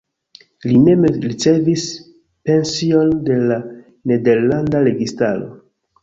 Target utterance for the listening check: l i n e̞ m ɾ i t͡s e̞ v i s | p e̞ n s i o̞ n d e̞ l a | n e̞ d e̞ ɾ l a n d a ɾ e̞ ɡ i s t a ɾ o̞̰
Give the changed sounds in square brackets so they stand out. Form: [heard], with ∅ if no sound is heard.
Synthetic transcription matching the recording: l i n e̞ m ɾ i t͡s e̞ v i s | p e̞ n s i o̞ n d e̞ l a | n e̞ d e̞ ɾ l a n d a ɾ e̞ ɡ i s t a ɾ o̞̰

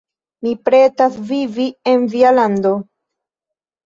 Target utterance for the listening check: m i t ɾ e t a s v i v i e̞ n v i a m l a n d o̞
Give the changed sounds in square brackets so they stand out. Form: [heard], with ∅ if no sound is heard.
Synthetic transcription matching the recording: m i [p] ɾ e t a s v i v i e̞ n v i a [∅] l a n d o̞

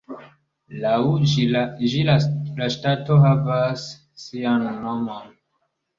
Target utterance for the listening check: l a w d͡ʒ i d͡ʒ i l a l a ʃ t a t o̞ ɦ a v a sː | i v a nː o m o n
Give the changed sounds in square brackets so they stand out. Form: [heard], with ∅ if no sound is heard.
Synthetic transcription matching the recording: l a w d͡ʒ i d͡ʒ i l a l a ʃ t a t o̞ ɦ a v a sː | i [∅] a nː o m o n

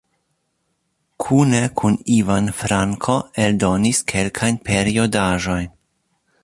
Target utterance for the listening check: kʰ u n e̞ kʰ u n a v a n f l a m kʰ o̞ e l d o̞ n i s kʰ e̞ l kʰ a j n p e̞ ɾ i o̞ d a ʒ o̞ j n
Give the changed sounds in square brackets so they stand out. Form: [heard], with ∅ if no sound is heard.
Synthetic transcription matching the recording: kʰ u n e̞ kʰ u n [i] v a n f [ɾ] a [ŋ] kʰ o̞ e l d o̞ n i s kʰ e̞ l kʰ a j n p e̞ ɾ i o̞ d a ʒ o̞ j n

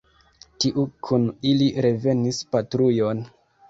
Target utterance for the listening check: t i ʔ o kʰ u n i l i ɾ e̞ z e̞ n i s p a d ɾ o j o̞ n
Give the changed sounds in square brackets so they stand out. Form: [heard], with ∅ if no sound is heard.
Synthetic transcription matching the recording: t i ʔ [u] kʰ u n i l i ɾ e̞ [v] e̞ n i s p a [t] ɾ [u] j o̞ n

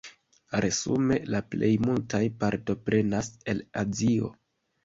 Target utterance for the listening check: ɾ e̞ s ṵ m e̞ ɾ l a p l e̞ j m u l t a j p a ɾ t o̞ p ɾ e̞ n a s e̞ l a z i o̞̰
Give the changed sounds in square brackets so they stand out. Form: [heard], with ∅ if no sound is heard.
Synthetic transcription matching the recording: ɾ e̞ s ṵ m e̞ [∅] l a p l e̞ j m u l t a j p a ɾ t o̞ p ɾ e̞ n a s e̞ l a z i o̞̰

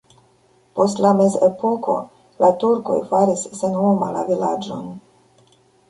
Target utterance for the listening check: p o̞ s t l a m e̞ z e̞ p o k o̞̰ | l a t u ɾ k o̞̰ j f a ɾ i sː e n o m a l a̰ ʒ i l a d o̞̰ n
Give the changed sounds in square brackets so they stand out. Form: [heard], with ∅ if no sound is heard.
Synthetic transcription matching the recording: p o̞ s t l a m e̞ z e̞ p o k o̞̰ | l a t u ɾ k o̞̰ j f a ɾ i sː e n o m a l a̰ [v] i l a [d͡ʒ] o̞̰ n

